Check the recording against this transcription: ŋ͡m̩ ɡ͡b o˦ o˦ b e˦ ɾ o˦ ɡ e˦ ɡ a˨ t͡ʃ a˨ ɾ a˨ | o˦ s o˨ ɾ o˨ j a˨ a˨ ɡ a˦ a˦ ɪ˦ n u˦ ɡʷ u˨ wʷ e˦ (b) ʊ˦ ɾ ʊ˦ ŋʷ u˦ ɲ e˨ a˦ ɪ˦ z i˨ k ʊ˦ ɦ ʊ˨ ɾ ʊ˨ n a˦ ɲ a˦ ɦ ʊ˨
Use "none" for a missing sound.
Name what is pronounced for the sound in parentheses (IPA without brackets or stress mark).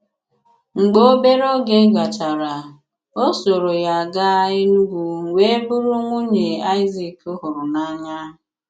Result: b